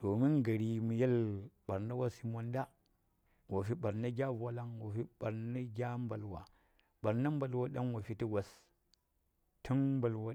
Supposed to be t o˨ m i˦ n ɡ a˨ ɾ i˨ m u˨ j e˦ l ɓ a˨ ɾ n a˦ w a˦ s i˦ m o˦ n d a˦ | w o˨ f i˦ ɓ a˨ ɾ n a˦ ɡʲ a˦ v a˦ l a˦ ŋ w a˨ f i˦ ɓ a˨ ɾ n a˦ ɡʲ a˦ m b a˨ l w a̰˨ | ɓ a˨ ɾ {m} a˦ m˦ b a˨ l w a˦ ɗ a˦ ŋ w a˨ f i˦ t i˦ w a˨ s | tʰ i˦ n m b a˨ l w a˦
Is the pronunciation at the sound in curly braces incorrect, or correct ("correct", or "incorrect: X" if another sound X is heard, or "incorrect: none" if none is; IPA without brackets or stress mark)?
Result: incorrect: n